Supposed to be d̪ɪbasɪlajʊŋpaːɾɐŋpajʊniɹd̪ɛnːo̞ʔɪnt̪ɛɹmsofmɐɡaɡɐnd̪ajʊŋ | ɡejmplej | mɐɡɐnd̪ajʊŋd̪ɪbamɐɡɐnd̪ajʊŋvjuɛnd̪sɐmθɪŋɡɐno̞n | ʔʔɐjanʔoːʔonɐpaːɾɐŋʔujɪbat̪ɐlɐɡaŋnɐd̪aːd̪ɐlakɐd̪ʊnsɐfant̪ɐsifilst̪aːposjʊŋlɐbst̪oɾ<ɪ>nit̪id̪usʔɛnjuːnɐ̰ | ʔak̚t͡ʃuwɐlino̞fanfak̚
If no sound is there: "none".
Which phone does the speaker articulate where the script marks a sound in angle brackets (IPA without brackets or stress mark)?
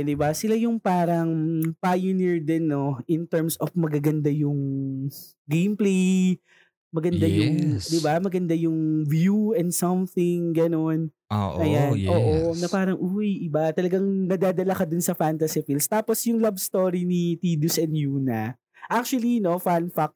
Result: i